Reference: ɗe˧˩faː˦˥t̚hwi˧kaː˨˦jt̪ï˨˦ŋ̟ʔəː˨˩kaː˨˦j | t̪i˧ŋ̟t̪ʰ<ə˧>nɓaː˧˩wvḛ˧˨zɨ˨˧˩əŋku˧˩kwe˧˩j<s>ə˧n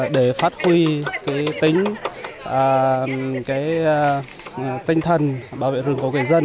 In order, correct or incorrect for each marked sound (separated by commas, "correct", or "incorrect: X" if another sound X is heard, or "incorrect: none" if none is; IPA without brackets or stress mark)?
incorrect: ə˨˩, incorrect: z